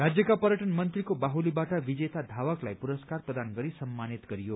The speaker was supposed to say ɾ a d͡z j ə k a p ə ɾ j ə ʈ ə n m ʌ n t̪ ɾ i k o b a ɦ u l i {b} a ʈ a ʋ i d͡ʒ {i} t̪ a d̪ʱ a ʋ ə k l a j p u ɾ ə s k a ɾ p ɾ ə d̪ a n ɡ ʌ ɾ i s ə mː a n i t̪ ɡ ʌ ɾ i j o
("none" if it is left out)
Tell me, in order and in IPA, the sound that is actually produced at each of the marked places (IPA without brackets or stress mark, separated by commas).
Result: b, e